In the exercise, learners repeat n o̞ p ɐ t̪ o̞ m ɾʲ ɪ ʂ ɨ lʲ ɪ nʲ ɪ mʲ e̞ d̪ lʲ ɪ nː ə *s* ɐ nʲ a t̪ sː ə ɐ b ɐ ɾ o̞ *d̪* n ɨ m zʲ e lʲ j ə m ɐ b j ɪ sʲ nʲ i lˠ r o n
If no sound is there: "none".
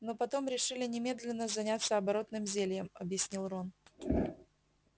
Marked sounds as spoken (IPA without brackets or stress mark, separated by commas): z, t̪